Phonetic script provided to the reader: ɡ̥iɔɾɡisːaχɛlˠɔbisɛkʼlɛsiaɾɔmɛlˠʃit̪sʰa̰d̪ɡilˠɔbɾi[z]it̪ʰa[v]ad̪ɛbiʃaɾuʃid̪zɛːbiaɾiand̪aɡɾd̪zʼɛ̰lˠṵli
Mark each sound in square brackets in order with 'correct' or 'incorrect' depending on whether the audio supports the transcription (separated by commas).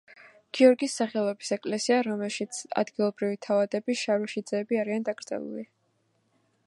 incorrect, correct